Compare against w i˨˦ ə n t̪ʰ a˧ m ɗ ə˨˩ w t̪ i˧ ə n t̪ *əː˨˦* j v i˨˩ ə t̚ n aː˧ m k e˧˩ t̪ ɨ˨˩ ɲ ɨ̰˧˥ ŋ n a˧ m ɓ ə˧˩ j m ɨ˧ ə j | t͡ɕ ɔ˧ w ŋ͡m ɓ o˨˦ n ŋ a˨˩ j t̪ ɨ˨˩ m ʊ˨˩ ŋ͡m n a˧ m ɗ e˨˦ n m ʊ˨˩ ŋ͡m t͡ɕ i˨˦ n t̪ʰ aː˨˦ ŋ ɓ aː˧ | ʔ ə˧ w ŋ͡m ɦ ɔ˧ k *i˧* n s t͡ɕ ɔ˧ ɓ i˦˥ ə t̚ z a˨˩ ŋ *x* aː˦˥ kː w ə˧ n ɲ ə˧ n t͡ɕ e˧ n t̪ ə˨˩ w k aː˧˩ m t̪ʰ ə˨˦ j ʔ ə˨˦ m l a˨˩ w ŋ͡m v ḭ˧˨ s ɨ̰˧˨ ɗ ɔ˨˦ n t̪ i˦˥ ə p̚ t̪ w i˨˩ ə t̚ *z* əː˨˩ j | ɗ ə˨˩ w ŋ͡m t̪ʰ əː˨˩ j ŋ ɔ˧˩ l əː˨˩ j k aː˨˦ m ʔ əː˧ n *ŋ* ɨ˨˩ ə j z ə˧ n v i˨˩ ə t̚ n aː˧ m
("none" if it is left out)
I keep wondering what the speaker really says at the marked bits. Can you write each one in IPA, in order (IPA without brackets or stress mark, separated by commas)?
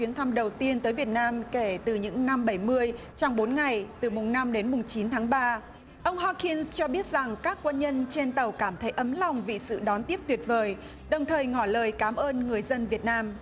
əː˨˦, i˧, k, v, ŋ